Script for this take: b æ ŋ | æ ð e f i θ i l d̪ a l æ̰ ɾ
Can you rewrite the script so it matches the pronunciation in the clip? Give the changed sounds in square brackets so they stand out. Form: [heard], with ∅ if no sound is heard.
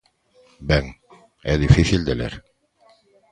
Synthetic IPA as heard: b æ ŋ | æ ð [i] f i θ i l d̪ [æ] l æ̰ ɾ